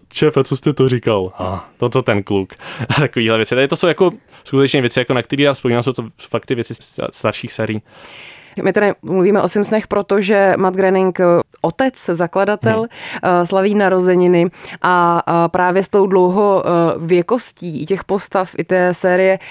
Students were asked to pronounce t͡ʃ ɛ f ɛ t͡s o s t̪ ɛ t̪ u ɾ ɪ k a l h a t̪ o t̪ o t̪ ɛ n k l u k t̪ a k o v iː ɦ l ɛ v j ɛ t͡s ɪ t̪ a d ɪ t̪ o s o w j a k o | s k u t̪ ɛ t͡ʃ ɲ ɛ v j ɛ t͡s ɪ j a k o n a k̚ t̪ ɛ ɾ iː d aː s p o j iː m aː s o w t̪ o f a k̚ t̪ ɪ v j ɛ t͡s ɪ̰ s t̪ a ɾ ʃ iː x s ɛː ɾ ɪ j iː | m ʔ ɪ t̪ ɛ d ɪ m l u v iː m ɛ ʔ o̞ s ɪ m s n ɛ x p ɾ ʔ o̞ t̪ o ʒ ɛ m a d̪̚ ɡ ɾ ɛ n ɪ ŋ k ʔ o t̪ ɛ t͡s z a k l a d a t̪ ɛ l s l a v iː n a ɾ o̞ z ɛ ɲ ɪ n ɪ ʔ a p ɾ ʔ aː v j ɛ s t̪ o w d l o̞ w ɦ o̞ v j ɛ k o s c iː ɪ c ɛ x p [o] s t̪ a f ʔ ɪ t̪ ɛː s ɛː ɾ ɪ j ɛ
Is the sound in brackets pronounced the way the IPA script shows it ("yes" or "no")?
yes